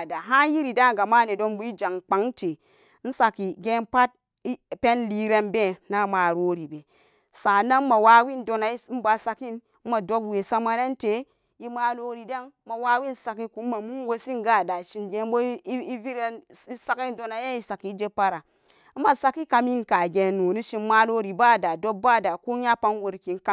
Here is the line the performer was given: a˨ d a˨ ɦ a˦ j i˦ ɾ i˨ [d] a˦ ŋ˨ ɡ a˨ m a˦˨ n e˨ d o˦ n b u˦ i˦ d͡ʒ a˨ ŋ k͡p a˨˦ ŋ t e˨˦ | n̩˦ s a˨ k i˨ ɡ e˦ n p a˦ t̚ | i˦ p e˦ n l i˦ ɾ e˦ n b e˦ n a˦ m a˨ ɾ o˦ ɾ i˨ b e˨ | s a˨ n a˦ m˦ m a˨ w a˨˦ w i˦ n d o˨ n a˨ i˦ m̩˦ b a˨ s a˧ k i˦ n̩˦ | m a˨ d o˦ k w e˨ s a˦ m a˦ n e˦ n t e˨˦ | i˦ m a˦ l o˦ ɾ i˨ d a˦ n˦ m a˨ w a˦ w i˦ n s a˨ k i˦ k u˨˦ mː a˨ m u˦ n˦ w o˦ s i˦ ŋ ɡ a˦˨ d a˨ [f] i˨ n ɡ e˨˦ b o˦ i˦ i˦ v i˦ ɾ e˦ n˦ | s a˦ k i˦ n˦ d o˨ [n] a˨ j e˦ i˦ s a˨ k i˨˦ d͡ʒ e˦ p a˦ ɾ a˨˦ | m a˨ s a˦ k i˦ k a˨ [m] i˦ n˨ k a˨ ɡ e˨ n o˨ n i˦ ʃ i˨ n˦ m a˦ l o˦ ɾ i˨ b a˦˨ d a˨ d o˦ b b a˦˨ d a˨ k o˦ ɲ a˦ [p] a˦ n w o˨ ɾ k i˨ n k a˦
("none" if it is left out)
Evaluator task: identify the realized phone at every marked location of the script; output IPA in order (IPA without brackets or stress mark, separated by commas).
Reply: d, ʃ, n, m, p